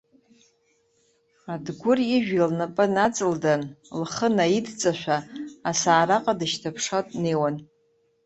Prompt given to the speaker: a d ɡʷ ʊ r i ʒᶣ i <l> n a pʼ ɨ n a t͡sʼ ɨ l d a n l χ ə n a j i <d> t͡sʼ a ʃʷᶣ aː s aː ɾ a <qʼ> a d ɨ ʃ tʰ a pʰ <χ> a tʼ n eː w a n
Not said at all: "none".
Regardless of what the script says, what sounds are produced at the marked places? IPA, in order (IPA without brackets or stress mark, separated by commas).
l, d, qʼ, ʂ